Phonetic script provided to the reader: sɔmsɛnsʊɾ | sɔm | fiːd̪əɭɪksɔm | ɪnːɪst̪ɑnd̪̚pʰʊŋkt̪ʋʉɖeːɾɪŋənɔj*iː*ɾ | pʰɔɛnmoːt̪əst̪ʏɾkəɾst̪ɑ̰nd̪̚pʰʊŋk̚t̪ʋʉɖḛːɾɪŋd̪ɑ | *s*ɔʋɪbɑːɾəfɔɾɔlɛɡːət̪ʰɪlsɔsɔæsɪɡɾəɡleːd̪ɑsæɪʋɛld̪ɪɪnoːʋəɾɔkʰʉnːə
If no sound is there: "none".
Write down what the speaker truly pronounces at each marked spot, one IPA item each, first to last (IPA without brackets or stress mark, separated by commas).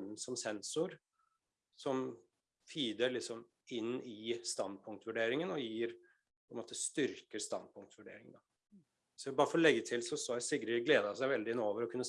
iː, s